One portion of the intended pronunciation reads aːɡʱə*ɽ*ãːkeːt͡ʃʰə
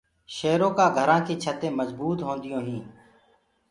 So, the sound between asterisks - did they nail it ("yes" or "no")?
no